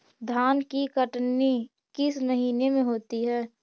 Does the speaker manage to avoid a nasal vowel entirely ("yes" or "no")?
no